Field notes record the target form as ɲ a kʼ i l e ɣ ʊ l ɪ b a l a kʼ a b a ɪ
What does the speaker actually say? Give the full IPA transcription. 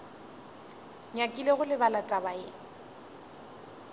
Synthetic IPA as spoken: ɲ a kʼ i l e ɣ ʊ l ɪ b a l a tʼ a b a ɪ

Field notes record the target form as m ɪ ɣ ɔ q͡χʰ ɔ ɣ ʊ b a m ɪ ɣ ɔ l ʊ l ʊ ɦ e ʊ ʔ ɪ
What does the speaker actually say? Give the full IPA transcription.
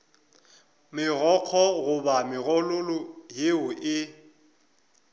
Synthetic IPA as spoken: m ɪ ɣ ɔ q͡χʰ ɔ ɣ ʊ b a m ɪ ɣ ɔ l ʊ l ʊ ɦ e ʊ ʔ ɪ

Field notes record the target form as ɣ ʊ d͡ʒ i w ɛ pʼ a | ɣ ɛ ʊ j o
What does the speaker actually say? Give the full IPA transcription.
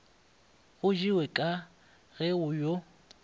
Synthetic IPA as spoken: ɣ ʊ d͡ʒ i w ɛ kʼ a | ɣ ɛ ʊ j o

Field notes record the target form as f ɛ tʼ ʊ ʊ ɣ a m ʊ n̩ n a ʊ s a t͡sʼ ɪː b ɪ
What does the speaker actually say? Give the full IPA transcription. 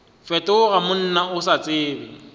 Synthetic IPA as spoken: f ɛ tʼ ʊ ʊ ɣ a m ʊ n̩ n a ʊ s a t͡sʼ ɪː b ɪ

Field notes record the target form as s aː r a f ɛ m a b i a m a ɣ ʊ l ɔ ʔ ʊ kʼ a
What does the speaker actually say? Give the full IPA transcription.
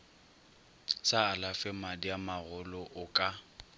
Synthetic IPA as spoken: s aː l a f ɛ m a d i a m a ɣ ʊ l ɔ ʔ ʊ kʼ a

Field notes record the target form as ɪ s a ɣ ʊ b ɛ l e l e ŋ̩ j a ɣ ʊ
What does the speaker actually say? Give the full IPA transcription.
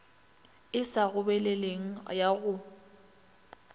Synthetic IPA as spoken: ɪ s a ɣ ʊ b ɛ l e l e ŋ̩ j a ɣ ʊ

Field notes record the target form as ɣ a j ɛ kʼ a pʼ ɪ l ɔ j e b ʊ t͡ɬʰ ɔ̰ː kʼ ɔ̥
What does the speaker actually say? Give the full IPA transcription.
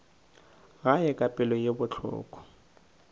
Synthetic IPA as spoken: ɣ a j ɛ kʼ a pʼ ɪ l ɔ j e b ʊ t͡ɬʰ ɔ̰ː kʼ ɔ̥

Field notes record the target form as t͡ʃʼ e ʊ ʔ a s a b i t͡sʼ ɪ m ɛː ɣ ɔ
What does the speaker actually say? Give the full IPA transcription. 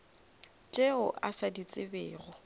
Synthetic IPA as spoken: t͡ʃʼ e ʊ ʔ a s a d i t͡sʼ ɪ b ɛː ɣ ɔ

